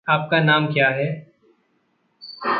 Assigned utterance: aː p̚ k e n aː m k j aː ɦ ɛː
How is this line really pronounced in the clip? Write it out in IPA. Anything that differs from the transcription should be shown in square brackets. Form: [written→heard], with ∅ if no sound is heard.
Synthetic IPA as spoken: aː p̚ k [e→a] n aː m k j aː ɦ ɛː